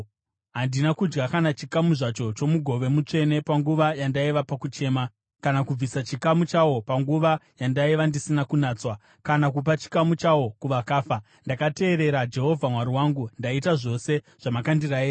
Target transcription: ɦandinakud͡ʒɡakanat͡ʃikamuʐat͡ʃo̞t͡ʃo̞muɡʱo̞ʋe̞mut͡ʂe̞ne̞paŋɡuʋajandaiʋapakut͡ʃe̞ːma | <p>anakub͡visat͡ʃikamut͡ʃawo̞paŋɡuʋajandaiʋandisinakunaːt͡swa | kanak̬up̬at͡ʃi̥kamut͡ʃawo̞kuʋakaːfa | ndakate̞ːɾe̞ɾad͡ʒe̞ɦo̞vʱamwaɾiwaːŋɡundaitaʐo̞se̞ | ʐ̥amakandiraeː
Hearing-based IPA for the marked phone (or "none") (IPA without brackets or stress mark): k